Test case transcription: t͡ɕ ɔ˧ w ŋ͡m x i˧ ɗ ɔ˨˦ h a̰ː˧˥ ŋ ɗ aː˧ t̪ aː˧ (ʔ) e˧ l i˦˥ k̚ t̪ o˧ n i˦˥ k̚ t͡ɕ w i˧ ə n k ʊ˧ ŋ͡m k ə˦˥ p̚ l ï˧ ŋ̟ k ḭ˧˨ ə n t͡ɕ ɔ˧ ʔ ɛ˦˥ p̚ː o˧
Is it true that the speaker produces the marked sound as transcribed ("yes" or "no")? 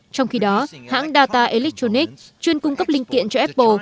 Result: yes